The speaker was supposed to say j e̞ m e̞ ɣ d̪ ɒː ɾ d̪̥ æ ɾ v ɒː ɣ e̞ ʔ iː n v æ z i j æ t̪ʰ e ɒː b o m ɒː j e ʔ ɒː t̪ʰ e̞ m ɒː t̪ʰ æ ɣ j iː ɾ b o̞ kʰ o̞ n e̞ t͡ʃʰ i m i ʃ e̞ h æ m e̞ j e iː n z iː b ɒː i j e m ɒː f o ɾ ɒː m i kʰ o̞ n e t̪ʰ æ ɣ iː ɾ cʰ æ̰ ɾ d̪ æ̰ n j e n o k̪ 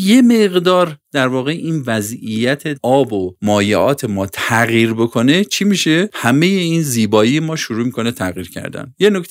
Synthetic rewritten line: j e̞ m e̞ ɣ d̪ ɒː ɾ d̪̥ æ ɾ v ɒː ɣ e̞ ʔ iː n v æ z i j æ t̪ʰ e ɒː b o m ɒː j e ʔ ɒː t̪ʰ e̞ m ɒː t̪ʰ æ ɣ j iː ɾ b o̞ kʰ o̞ n e̞ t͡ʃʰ i m i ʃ e̞ h æ m e̞ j e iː n z iː b ɒː i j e m ɒː ʃ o ɾ uː m i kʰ o̞ n e t̪ʰ æ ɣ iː ɾ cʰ æ̰ ɾ d̪ æ̰ n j e n o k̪